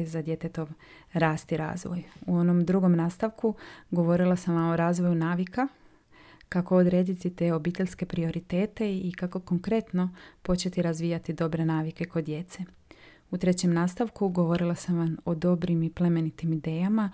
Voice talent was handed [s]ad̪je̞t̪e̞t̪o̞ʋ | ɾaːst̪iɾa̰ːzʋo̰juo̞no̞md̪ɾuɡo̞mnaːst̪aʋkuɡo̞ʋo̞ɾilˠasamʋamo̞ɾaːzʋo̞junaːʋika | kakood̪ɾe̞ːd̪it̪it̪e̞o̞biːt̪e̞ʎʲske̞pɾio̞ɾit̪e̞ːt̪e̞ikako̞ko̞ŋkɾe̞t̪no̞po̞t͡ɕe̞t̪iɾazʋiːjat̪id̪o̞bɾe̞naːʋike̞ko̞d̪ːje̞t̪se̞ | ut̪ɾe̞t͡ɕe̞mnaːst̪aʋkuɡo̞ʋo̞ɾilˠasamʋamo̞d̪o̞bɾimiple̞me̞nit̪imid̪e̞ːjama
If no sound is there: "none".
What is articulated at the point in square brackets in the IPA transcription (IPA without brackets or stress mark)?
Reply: z